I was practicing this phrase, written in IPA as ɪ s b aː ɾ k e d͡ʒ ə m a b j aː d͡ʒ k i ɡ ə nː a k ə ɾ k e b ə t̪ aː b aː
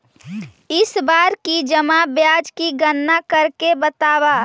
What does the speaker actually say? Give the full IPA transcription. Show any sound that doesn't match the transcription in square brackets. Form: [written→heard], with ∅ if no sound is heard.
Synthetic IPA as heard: ɪ s b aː ɾ k [e→i] d͡ʒ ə m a b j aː d͡ʒ k i ɡ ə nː a k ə ɾ k e b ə t̪ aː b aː